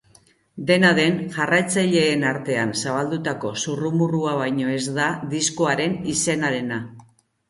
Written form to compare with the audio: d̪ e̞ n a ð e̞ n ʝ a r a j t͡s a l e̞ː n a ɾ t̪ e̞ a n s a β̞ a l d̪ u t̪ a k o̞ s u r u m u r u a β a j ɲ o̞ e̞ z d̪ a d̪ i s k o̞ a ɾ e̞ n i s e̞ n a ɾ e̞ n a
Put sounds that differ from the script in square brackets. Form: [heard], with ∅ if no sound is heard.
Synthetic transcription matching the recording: d̪ e̞ n a ð e̞ n ʝ a r a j t͡s a [ʎ] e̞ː n a ɾ t̪ e̞ a n s a β̞ a l d̪ u t̪ a k o̞ s u r u m u r u a β a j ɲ o̞ e̞ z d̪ a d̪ i s k o̞ a ɾ e̞ n i s e̞ n a ɾ e̞ n a